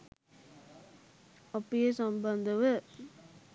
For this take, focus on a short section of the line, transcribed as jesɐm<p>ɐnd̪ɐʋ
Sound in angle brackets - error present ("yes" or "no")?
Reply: yes